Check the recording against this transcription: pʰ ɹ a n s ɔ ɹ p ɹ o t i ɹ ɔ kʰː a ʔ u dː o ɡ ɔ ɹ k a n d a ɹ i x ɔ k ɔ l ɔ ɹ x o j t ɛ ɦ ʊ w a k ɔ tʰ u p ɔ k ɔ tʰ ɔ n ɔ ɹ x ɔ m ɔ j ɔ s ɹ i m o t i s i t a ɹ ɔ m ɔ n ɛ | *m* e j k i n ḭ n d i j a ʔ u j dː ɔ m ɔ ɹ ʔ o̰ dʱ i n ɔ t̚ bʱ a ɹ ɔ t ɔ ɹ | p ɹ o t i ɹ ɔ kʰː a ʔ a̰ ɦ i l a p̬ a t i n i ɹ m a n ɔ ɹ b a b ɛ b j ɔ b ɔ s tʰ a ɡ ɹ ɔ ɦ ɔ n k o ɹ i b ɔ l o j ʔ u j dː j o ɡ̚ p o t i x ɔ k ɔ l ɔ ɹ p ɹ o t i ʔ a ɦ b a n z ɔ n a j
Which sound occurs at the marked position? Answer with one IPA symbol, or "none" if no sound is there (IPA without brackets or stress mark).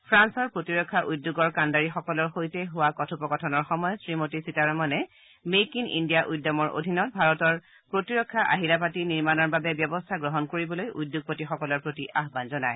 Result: m